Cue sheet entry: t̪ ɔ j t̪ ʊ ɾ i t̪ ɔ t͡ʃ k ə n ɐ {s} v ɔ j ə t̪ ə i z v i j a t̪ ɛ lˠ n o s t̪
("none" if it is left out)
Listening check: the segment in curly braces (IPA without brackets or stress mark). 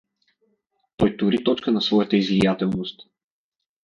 s